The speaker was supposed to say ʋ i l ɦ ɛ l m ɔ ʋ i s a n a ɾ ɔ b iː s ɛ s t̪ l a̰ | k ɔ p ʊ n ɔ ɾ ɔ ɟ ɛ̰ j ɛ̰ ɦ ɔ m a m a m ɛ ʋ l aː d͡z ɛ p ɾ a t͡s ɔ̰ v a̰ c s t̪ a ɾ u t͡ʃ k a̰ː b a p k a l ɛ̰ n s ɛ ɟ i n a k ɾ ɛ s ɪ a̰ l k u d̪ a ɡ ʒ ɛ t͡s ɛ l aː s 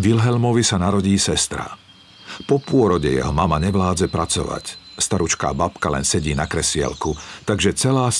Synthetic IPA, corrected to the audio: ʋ i l ɦ ɛ l m ɔ ʋ i s a n a ɾ ɔ ɟ iː s ɛ s t̪ ɾ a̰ | p ɔ p ʊ ɔ ɾ ɔ ɟ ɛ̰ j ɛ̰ ɦ ɔ m a m a ɲ ɛ ʋ l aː d͡z ɛ p ɾ a t͡s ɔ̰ ʋ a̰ c s t̪ a ɾ u t͡ʃ k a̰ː b a p k a l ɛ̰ n s ɛ ɟ iː n a k ɾ ɛ s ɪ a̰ l k u t̪ a ɡ ʒ ɛ t͡s ɛ l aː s